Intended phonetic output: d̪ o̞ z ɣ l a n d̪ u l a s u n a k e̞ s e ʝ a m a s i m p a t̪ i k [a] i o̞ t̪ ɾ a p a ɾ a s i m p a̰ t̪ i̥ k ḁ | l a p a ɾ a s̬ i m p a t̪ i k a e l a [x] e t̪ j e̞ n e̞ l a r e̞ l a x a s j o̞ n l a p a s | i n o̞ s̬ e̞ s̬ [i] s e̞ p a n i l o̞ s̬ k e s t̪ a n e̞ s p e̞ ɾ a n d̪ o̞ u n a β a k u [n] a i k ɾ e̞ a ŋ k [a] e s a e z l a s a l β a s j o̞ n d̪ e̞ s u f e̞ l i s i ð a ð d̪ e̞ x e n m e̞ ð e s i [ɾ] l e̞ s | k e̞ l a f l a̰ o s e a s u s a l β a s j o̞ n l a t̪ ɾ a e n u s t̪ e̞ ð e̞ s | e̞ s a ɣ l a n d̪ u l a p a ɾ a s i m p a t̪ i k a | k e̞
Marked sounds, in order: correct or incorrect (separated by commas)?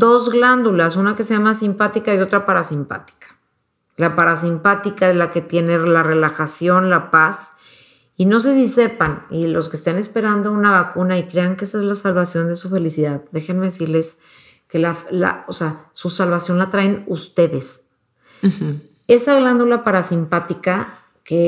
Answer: correct, incorrect, correct, correct, incorrect, correct